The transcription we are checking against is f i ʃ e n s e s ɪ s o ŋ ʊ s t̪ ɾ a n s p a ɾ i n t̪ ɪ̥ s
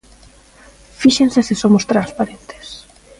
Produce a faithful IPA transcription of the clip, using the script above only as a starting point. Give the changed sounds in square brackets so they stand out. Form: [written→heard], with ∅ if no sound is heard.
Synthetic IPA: f i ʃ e n s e s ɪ s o [ŋ→m] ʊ s t̪ ɾ a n s p a ɾ [i→e] n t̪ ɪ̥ s